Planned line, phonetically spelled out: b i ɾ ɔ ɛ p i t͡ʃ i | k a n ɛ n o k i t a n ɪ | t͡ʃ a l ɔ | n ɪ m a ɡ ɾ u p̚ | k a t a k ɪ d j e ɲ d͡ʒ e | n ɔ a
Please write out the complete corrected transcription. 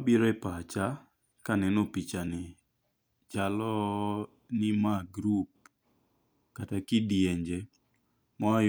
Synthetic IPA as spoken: b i ɾ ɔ ɛ p a t͡ʃ a | k a n ɛ n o p i t͡ʃ a n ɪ | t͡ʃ a l ɔ | n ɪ m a ɡ ɾ u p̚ | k a t a k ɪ d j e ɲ d͡ʒ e | m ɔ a